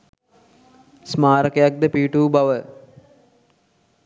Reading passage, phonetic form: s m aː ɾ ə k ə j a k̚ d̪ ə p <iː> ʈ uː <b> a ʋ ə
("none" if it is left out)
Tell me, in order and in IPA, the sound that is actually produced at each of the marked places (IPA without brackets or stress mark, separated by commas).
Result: iː, b